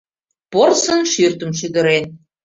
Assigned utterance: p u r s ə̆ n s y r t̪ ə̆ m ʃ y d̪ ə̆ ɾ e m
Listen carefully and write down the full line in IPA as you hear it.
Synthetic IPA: p o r s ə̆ n ʃ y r t̪ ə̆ m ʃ y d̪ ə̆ ɾ e n